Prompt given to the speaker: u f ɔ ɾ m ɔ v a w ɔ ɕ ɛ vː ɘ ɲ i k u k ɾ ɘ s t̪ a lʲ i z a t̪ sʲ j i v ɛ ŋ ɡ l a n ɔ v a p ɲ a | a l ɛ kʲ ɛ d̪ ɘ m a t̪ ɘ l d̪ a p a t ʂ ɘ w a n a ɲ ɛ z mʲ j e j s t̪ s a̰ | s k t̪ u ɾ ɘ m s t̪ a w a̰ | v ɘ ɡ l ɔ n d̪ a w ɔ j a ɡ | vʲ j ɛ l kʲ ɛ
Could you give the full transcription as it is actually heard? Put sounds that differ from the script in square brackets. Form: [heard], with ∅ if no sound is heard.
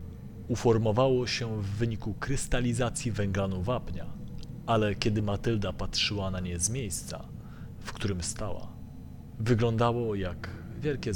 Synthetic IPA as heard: u f ɔ ɾ m ɔ v a w ɔ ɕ ɛ vː ɘ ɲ i k u k ɾ ɘ s t̪ a lʲ i z a t̪ sʲ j i v ɛ ŋ ɡ l a n [u] v a p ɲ a | a l ɛ kʲ ɛ d̪ ɘ m a t̪ ɘ l d̪ a p a t ʂ ɘ w a n a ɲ ɛ z mʲ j e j s t̪ s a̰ | [f] k t̪ u ɾ ɘ m s t̪ a w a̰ | v ɘ ɡ l ɔ n d̪ a w ɔ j a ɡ | vʲ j ɛ l kʲ ɛ